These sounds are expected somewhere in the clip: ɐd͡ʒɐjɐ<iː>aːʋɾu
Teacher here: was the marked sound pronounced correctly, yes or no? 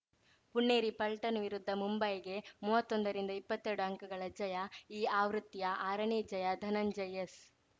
yes